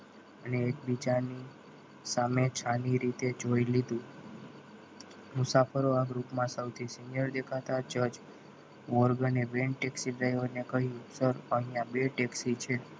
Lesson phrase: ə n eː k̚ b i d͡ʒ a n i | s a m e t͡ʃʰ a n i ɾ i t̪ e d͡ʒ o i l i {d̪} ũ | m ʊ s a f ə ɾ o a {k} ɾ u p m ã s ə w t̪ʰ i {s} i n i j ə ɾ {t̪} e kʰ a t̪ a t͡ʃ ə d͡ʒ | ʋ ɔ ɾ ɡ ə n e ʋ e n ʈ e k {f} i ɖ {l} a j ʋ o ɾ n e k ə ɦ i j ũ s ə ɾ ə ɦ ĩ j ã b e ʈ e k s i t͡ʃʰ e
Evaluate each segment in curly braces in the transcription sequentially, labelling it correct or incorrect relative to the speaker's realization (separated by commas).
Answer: correct, incorrect, correct, incorrect, incorrect, incorrect